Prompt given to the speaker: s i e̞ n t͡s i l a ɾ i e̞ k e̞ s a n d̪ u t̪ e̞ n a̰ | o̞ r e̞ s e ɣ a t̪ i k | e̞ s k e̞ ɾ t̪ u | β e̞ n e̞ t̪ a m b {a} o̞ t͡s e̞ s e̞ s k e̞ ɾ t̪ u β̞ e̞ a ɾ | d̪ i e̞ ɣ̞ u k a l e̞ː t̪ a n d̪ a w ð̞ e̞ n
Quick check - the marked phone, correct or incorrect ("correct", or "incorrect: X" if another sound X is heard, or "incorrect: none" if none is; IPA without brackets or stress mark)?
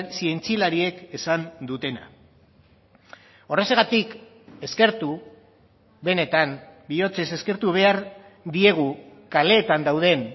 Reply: incorrect: i